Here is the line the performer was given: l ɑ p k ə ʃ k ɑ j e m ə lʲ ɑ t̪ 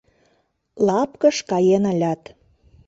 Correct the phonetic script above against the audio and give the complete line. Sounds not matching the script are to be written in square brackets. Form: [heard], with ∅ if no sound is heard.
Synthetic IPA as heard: l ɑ p k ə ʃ k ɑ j e [n] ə lʲ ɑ t̪